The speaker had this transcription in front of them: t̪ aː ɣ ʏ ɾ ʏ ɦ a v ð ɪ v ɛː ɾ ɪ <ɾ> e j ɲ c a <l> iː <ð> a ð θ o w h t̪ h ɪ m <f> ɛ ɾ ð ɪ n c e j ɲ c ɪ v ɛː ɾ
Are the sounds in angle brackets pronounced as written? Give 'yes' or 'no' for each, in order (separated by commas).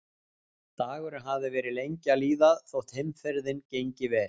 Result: no, yes, yes, yes